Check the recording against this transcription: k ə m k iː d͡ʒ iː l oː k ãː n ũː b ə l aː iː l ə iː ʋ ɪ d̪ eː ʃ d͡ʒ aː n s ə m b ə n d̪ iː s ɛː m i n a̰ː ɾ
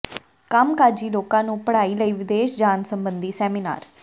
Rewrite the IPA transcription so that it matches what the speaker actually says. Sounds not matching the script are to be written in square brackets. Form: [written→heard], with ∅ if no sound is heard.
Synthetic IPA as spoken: k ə m k [iː→aː] d͡ʒ iː l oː k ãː n ũː [b→p] ə [l→ɽ] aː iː l ə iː ʋ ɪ d̪ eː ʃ d͡ʒ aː n s ə m b ə n d̪ iː s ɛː m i n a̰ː ɾ